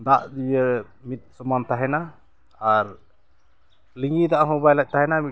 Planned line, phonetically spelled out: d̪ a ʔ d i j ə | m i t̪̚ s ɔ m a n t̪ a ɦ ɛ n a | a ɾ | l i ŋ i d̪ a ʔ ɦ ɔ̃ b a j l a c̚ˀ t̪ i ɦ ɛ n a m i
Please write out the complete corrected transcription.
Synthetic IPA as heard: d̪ a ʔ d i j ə | m i t̪̚ s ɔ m a n t̪ a ɦ ɛ n a | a ɾ | l i ŋ i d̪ a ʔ ɦ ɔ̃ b a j l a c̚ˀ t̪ a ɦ ɛ n a m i